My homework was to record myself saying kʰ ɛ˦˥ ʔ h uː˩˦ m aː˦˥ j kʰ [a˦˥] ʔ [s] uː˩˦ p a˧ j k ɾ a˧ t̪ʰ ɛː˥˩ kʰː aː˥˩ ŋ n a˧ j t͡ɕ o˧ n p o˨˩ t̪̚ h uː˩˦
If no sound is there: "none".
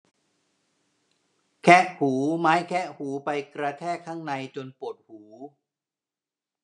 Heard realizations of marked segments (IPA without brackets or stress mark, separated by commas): ɛ˦˥, h